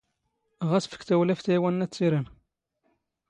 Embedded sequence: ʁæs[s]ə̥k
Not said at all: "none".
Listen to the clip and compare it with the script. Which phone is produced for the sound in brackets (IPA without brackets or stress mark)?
f